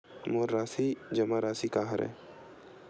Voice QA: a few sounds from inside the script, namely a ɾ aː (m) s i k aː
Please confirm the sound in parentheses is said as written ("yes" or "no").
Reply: no